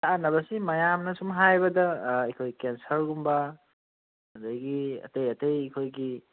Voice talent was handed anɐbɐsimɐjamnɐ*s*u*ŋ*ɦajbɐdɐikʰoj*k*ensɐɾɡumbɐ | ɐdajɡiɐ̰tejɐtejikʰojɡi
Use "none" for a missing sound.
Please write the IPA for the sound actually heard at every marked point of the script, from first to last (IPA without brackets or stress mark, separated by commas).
s, m, k